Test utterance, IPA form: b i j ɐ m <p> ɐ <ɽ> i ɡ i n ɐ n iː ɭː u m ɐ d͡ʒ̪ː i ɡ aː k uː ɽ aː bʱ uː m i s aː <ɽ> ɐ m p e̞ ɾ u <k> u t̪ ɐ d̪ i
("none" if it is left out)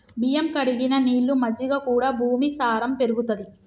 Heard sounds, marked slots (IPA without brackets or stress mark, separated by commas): k, ɽ, ɾ, ɡ